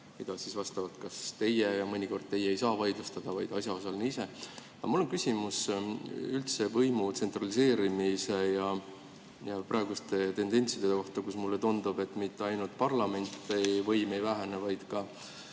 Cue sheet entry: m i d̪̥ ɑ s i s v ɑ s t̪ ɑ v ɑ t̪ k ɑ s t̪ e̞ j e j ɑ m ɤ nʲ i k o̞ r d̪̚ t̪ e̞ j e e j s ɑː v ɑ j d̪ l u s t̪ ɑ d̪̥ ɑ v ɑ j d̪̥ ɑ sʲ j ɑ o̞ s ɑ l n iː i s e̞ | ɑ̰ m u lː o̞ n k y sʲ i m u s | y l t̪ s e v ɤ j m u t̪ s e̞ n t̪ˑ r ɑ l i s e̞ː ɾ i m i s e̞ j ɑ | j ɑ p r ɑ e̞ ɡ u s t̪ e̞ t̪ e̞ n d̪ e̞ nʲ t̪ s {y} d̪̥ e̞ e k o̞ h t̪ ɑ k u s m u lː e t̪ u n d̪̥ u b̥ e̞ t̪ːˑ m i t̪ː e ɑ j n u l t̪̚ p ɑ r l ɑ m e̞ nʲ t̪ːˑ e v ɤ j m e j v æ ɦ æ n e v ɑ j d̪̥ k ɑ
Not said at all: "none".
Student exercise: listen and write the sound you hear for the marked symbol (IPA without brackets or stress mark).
i